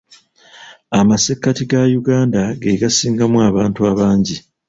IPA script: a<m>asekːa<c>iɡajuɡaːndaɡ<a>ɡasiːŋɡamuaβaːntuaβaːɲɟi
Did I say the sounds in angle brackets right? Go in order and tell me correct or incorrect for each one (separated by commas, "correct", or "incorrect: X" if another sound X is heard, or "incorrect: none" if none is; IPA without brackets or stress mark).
correct, incorrect: t, incorrect: e